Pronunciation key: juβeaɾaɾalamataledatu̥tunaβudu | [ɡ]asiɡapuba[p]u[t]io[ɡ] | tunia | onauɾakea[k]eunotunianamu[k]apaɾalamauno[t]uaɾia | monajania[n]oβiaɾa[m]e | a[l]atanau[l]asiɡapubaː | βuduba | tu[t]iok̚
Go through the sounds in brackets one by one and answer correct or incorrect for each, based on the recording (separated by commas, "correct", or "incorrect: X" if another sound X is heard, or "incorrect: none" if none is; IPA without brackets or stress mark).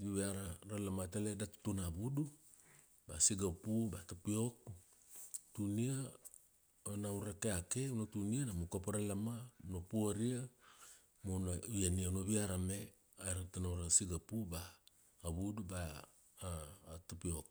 incorrect: b, incorrect: t, incorrect: p, incorrect: k, correct, correct, incorrect: p, correct, correct, incorrect: ɾ, incorrect: ɾ, incorrect: p